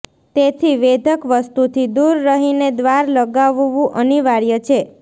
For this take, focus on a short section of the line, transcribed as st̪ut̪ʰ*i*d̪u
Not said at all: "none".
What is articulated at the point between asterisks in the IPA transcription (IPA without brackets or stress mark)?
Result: i